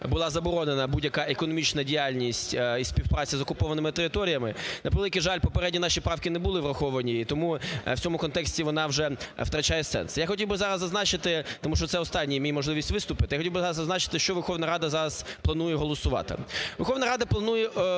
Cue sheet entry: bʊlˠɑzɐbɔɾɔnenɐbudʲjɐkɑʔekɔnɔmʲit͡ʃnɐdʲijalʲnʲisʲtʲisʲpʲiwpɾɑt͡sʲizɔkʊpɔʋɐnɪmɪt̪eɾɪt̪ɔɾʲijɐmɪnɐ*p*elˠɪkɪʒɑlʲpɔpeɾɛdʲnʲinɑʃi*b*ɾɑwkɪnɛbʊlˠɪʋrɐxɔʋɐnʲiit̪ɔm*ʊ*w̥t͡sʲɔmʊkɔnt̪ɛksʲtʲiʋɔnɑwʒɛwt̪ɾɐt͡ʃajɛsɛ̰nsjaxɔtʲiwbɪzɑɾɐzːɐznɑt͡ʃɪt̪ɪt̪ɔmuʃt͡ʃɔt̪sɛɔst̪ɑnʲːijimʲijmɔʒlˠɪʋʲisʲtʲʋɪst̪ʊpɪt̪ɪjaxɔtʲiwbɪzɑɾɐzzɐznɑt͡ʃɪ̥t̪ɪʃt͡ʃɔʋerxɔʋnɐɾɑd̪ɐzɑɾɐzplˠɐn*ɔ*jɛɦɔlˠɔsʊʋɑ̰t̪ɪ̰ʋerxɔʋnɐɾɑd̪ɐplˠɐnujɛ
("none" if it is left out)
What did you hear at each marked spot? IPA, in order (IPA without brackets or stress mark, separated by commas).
p, p, u, u